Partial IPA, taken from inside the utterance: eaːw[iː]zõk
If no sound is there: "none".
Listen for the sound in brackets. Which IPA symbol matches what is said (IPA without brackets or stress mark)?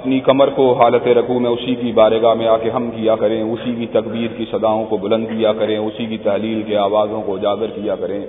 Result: aː